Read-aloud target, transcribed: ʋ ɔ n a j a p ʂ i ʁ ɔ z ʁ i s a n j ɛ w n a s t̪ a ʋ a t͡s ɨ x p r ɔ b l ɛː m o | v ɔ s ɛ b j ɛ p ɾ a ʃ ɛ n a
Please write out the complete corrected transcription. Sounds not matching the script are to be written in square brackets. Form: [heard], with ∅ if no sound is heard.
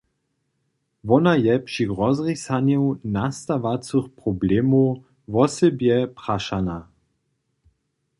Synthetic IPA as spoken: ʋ ɔ n a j [ɛ] p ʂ i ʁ ɔ z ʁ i s a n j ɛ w n a s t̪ a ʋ a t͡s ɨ x p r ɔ b l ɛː m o | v ɔ s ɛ b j ɛ p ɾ a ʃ [a] n a